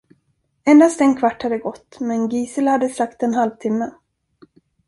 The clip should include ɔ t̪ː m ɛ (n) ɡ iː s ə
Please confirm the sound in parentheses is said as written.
yes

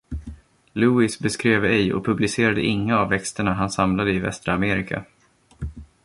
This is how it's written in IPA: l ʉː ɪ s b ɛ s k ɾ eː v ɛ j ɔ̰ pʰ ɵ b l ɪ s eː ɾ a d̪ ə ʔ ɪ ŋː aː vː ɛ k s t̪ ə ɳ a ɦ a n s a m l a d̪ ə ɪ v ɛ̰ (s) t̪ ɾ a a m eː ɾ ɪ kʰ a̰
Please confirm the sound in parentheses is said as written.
yes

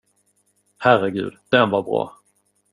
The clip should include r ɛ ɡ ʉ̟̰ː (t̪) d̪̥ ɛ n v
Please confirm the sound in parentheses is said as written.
no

